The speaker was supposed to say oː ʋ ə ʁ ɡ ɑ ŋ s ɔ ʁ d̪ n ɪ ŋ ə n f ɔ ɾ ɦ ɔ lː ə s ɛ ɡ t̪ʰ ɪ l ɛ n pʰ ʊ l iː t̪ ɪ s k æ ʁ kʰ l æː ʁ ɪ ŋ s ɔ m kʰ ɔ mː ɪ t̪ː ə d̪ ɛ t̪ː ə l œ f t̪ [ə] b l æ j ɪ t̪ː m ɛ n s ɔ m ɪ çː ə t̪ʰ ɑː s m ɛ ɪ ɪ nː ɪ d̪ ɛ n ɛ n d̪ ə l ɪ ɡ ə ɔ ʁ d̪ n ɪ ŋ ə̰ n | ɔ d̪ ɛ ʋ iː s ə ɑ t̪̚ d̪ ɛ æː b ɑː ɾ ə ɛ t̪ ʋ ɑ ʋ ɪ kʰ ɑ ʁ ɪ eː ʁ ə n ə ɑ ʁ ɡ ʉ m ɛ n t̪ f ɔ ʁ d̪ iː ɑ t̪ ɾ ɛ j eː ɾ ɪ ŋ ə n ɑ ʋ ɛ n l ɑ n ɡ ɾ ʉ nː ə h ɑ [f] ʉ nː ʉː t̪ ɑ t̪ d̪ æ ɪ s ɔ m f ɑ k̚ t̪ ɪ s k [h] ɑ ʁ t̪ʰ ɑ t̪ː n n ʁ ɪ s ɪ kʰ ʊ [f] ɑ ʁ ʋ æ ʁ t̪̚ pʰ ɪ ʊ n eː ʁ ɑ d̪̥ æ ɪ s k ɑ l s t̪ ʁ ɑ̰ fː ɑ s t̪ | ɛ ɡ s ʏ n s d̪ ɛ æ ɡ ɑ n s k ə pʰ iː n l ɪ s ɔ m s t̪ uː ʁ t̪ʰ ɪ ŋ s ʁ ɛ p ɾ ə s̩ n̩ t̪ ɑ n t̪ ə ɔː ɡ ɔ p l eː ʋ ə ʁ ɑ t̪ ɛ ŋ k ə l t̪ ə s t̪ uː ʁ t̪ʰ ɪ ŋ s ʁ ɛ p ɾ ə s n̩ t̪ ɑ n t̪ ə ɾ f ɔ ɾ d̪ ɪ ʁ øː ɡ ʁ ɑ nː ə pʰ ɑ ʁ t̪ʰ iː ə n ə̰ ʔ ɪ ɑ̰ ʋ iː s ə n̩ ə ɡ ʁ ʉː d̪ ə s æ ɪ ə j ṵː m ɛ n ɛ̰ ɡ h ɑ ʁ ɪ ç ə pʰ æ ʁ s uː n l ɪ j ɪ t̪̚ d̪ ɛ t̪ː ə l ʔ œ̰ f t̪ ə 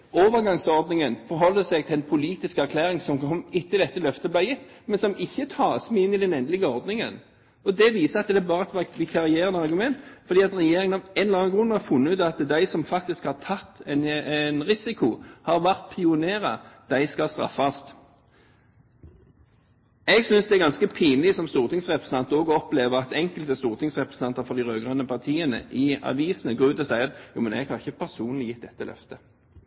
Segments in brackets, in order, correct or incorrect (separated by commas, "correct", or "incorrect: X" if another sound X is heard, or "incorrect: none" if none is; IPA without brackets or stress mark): correct, correct, correct, incorrect: h